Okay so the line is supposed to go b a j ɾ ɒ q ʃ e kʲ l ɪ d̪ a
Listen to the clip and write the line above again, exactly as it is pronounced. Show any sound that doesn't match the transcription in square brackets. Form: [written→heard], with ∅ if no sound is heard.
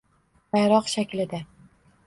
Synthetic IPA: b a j ɾ ɒ q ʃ [e→a] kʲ l ɪ d̪ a